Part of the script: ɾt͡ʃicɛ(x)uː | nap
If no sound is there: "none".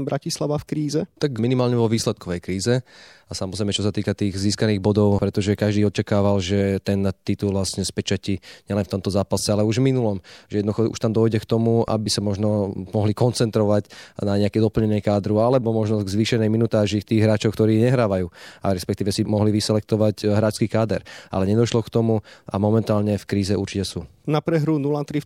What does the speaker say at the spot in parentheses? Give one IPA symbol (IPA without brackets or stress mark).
s